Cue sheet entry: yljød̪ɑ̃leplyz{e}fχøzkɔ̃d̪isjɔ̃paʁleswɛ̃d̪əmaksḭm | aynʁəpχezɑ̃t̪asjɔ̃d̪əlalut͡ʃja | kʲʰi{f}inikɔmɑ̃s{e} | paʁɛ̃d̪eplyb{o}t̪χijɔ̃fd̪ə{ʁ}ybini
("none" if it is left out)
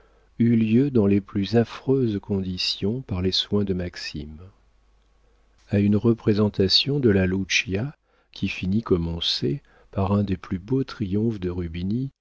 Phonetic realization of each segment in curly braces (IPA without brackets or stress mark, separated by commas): a, f, e, o, ʁ